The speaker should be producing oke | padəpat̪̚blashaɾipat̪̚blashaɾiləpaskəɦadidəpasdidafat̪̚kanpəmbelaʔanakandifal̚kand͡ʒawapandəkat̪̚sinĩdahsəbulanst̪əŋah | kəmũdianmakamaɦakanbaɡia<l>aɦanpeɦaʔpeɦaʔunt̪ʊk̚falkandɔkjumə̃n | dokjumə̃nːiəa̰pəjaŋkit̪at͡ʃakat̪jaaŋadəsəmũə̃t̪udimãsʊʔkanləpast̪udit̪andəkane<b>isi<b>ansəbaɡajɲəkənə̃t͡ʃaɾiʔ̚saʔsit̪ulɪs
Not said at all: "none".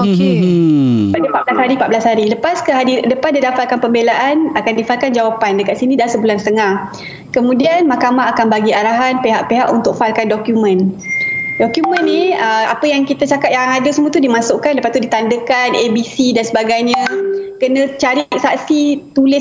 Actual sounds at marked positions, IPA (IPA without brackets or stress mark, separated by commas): ɾ, b, d